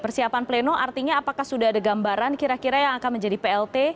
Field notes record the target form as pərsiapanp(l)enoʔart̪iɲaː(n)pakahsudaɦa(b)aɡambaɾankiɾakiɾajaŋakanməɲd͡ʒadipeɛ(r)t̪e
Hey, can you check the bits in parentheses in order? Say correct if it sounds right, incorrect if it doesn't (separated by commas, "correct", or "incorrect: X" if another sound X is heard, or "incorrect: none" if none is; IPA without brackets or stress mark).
correct, incorrect: none, incorrect: d, incorrect: l